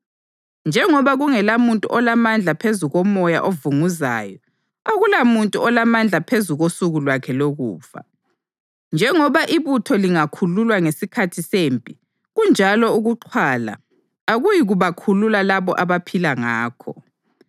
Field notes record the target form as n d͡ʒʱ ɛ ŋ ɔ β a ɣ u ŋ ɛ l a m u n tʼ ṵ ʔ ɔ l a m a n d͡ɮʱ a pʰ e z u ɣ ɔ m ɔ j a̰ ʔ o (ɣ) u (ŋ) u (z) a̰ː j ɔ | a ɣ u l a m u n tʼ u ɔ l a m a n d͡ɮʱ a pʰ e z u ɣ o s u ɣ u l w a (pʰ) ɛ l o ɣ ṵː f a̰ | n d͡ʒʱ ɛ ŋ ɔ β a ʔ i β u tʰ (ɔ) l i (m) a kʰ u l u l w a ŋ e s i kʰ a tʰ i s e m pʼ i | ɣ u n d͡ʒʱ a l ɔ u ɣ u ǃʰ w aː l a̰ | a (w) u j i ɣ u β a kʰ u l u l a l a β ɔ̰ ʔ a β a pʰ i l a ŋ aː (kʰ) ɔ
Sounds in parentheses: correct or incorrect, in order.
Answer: incorrect, correct, correct, incorrect, correct, incorrect, incorrect, correct

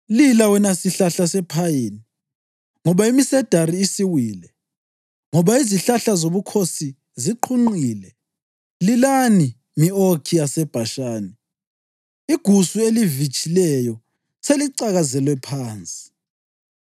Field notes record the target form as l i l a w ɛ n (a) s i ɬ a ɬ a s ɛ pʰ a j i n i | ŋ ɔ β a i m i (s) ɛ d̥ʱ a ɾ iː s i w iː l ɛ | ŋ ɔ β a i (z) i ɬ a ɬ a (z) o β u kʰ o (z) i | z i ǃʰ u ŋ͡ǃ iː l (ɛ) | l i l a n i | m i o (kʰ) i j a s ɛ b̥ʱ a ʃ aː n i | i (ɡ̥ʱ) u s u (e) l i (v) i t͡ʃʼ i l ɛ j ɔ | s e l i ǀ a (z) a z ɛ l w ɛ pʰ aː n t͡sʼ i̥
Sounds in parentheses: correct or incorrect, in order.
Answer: correct, correct, correct, correct, incorrect, correct, correct, correct, correct, correct, incorrect

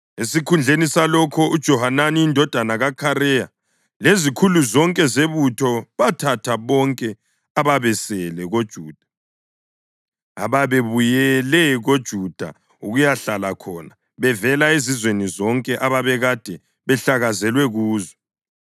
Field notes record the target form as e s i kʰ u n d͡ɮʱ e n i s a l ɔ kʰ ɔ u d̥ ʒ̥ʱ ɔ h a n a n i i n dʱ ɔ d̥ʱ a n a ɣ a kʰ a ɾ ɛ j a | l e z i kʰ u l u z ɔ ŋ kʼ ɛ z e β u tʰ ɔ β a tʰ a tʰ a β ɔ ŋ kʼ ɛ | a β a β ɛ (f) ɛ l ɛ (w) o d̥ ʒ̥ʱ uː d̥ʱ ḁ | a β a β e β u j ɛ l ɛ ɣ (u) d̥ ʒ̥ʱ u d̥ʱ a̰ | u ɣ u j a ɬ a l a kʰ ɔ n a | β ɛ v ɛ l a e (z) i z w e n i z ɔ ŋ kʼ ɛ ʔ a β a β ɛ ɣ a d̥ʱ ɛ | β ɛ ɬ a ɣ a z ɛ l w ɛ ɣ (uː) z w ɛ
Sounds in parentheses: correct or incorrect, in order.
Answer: incorrect, incorrect, incorrect, correct, correct

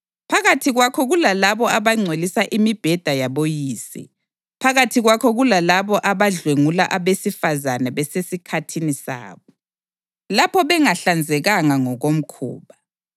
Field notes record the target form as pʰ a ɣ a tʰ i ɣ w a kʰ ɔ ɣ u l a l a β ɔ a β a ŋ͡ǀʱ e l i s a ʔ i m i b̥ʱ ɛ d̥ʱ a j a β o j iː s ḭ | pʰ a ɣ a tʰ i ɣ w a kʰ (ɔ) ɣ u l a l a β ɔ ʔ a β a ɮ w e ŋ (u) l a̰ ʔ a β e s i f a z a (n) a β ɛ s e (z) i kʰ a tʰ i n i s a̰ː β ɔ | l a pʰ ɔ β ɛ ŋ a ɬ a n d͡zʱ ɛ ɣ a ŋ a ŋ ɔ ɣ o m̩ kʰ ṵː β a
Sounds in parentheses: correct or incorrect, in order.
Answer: correct, correct, correct, incorrect

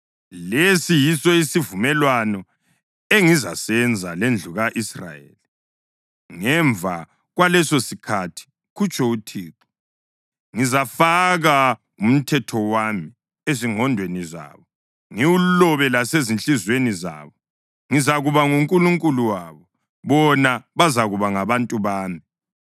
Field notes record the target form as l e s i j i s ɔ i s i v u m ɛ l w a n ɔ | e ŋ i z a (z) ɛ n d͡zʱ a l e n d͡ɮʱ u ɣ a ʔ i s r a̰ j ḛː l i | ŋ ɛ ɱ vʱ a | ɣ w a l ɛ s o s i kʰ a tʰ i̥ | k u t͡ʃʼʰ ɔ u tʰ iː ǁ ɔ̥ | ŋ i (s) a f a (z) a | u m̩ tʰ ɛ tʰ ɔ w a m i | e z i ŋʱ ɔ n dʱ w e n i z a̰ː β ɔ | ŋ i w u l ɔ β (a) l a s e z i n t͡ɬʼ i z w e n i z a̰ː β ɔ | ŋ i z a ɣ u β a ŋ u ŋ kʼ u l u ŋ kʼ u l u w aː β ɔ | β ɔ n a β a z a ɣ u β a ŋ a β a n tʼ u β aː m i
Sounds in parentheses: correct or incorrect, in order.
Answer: incorrect, incorrect, incorrect, incorrect

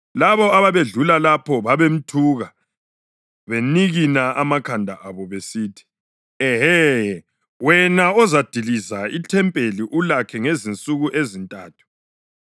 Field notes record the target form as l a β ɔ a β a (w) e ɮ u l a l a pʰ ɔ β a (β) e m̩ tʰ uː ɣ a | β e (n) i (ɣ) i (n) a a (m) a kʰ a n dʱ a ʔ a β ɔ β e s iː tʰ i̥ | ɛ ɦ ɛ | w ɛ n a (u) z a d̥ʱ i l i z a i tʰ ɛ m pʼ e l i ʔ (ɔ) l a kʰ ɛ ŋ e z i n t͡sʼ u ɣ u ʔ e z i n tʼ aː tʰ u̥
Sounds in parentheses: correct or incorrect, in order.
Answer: incorrect, correct, correct, correct, correct, correct, incorrect, incorrect

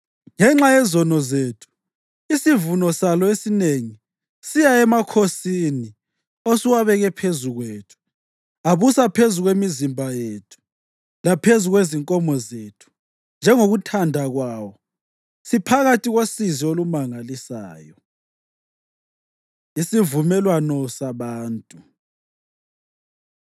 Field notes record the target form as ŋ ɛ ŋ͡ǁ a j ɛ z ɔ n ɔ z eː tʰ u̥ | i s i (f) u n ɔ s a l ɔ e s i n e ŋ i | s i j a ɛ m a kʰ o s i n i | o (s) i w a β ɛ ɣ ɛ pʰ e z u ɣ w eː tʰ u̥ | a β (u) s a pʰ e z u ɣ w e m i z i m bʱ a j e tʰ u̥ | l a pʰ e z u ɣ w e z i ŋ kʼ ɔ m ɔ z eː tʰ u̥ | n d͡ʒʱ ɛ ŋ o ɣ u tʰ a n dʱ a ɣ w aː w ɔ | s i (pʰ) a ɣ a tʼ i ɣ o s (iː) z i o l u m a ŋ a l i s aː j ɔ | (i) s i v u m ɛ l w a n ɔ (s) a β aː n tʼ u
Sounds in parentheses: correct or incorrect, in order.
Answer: incorrect, correct, correct, correct, incorrect, correct, correct

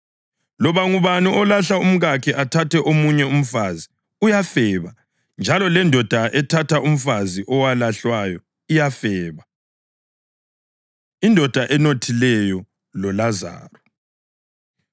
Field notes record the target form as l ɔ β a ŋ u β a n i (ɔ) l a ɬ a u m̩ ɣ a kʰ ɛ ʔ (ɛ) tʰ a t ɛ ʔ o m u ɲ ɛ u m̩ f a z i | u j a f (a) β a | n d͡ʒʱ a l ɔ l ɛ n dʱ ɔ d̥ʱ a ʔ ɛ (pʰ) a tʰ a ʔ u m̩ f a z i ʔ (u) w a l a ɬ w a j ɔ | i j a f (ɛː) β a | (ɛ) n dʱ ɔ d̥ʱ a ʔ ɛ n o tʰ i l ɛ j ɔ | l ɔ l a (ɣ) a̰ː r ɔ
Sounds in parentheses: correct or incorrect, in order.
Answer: correct, incorrect, incorrect, incorrect, incorrect, correct, incorrect, incorrect

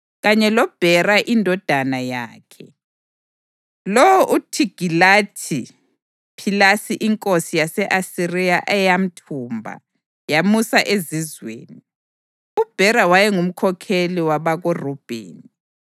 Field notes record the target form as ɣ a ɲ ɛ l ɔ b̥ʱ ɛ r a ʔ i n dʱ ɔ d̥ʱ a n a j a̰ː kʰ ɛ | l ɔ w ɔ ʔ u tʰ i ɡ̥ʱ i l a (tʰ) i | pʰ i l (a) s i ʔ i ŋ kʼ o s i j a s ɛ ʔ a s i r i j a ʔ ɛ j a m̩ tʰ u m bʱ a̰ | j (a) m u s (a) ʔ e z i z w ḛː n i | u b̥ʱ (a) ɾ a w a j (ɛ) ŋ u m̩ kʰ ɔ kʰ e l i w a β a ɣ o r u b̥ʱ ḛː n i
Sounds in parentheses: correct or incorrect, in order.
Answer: correct, correct, correct, correct, incorrect, correct

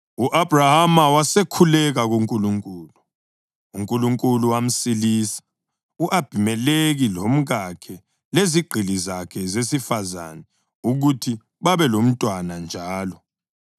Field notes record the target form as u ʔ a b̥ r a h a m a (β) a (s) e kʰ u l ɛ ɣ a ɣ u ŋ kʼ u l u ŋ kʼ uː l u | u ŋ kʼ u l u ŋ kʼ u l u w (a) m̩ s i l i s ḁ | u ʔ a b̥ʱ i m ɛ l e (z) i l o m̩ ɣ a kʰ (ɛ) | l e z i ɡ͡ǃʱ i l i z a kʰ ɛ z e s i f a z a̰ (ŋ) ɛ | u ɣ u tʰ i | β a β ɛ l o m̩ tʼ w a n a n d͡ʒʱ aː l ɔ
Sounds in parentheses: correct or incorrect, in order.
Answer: incorrect, correct, correct, incorrect, correct, incorrect

